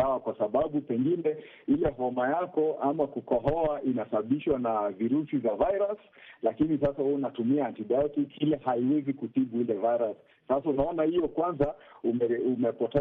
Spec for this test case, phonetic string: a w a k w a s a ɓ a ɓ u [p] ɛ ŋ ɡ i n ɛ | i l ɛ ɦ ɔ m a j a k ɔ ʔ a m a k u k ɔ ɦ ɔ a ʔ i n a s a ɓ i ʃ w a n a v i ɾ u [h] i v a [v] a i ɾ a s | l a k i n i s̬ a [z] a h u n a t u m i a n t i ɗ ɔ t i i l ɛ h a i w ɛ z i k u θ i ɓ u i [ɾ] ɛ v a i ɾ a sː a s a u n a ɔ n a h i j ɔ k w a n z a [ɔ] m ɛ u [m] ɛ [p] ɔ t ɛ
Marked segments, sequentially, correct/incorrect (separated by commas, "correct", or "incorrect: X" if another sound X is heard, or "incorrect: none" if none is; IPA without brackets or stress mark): correct, incorrect: s, correct, incorrect: s, incorrect: l, incorrect: u, correct, correct